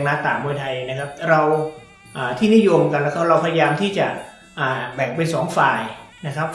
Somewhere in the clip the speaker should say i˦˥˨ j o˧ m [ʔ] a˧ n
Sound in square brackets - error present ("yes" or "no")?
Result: yes